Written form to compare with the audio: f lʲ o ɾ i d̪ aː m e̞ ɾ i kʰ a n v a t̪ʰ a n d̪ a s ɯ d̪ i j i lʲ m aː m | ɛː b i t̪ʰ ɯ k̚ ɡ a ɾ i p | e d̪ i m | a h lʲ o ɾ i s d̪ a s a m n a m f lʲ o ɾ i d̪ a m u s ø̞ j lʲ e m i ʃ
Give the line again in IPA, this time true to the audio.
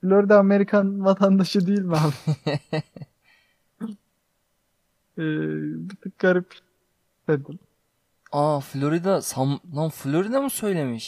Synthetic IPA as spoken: f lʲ o ɾ i d̪ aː m e̞ ɾ i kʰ a n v a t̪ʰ a n d̪ a ʃ ɯ d̪ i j i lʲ m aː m | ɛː b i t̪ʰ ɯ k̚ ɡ a ɾ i p | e d̪ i m | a f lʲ o ɾ i d̪ a s a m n a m f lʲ o ɾ i d̪ a m u s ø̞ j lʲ e m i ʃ